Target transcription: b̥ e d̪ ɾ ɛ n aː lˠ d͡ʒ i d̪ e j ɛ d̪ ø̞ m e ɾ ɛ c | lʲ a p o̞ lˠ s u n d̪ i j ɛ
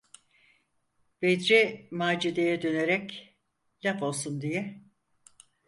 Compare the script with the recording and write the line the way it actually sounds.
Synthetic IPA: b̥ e d̪ ɾ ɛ m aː d͡ʒ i d̪ e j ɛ d̪ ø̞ n e ɾ ɛ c | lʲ a p o̞ lˠ s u n d̪ i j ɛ

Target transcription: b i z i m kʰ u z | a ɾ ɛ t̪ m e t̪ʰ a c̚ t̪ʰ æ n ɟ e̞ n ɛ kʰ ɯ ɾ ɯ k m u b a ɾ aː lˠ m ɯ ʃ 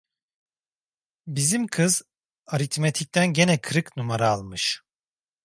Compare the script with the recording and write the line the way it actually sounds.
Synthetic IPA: b i z i m kʰ ɯ z | a ɾ i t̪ m e t̪ʰ i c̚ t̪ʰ æ n ɟ e̞ n ɛ kʰ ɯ ɾ ɯ k n u m a ɾ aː lˠ m ɯ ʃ

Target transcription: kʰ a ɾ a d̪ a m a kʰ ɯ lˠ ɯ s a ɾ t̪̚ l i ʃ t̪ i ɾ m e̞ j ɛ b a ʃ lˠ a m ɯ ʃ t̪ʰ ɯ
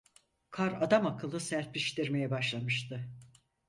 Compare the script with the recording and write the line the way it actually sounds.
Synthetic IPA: kʰ a ɾ a d̪ a m a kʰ ɯ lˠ ɯ s æ ɾ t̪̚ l i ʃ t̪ i ɾ m e̞ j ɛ b a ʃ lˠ a m ɯ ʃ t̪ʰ ɯ

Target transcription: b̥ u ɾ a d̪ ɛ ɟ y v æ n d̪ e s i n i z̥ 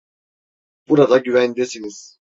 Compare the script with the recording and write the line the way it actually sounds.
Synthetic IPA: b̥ u ɾ a d̪ a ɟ y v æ n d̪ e s i n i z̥

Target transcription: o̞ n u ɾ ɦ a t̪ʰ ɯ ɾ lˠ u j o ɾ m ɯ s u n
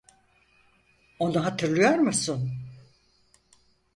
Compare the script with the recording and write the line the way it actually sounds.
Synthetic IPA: o̞ n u ɦ a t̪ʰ ɯ ɾ lˠ ɯ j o ɾ m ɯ s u n

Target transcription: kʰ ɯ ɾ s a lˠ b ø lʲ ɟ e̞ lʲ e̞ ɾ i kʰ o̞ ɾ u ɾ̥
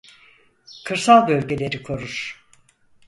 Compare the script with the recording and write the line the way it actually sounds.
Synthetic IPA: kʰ ɯ ɾ s a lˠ b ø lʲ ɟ e̞ lʲ e̞ ɾ i kʰ o̞ ɾ u ɾ̥

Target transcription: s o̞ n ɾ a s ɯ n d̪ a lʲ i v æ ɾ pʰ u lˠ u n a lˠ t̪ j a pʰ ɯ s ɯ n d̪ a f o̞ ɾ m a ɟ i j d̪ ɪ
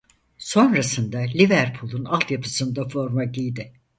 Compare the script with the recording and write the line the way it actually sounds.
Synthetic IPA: s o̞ n ɾ a s ɯ n d̪ a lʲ i v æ ɾ pʰ u lˠ u n a lˠ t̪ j a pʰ ɯ s ɯ n d̪ a f o̞ ɾ m a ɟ i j d̪ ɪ

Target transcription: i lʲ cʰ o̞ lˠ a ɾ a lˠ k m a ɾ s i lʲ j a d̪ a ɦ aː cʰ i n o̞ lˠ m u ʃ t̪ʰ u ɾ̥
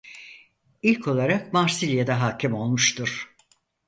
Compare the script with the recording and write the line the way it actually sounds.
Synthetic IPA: i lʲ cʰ o̞ lˠ a ɾ a k m a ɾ s i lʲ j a d̪ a ɦ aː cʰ i m o̞ lˠ m u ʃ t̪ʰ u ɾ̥

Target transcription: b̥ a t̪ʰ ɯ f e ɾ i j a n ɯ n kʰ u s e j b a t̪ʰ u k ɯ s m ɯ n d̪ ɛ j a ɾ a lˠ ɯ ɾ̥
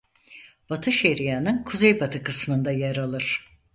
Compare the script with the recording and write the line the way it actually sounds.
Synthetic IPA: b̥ a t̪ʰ ɯ ʃ e ɾ i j a n ɯ n kʰ u z e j b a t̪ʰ ɯ k ɯ s m ɯ n d̪ a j a ɾ a lˠ ɯ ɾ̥

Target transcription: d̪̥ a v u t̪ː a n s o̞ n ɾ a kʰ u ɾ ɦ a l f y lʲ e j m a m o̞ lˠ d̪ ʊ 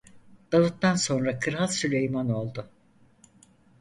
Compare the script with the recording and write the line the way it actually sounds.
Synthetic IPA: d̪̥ a v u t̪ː a n s o̞ n ɾ a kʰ ɯ ɾ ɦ a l s y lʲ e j m a n o̞ lˠ d̪ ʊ

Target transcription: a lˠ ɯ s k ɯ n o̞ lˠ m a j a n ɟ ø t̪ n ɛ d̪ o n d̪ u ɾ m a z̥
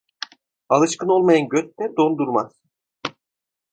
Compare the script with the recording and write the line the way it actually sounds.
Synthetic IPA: a lˠ ɯ ʃ k ɯ n o̞ lˠ m a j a n ɟ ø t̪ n ɛ d̪ o n d̪ u ɾ m a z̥

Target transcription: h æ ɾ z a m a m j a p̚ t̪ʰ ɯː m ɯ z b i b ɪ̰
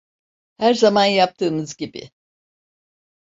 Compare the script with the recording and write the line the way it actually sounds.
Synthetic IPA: h æ ɾ z a m a n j a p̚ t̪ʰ ɯː m ɯ z ɟ i b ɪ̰

